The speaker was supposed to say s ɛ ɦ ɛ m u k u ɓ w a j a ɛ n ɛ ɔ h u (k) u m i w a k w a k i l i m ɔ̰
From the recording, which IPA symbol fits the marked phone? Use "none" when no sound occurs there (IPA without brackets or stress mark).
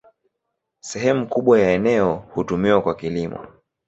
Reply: t